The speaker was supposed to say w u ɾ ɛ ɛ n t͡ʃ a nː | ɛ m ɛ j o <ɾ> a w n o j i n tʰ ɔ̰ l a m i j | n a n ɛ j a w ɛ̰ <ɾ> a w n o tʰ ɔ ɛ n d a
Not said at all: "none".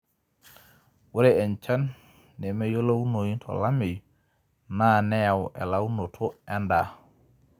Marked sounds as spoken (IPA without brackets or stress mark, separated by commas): l, l